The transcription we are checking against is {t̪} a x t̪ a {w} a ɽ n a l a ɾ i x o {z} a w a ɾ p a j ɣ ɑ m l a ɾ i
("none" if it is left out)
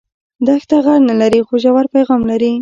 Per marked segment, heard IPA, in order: d̪, ɣ, ʒ

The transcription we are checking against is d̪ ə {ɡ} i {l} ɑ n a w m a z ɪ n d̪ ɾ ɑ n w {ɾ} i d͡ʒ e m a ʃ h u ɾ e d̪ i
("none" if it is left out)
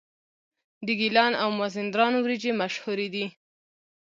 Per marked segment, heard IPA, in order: ɡ, l, ɾ

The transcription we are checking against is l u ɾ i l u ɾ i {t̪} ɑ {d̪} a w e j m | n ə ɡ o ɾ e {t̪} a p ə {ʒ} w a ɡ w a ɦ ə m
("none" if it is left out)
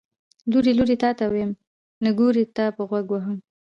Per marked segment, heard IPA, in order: t̪, t̪, t̪, ɣ

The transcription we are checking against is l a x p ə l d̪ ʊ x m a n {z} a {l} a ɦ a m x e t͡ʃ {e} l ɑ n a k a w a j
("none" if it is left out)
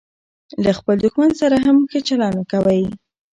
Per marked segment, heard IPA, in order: s, ɾ, a

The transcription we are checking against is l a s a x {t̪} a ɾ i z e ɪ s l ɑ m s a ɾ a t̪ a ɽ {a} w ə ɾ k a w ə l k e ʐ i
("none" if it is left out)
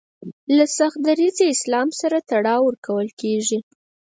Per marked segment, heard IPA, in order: d̪, ɑ

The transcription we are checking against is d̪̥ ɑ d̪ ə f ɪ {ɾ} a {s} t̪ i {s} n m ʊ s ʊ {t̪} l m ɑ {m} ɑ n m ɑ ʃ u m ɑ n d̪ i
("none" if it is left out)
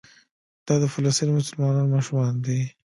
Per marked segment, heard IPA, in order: l, s, none, none, n

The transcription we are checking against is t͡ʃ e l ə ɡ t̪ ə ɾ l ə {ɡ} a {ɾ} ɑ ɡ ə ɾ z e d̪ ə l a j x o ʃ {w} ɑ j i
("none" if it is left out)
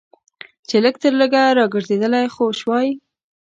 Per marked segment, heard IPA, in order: ɡ, ɾ, w

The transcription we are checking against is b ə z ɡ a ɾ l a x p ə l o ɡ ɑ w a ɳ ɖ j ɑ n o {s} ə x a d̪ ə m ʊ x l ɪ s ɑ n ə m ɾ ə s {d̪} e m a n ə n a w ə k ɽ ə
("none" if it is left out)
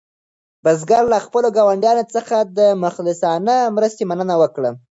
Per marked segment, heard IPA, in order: t͡s, t̪

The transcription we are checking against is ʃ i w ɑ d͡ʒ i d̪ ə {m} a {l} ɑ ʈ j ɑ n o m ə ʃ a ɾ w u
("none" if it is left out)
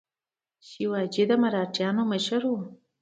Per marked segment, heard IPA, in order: m, ɾ

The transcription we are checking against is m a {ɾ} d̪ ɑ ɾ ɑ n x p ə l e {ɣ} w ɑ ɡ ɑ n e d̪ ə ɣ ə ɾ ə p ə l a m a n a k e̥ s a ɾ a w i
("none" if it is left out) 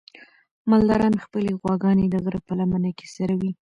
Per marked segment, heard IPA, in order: l, ɣ

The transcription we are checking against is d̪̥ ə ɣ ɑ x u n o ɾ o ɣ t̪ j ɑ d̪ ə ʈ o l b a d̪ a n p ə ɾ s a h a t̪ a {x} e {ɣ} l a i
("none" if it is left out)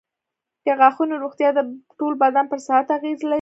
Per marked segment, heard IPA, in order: ɣ, z

